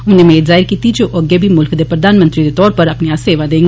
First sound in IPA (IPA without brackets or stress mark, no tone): ʊ